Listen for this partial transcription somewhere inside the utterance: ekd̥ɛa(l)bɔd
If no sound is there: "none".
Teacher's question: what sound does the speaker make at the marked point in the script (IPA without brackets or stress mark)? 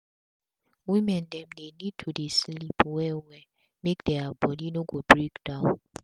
none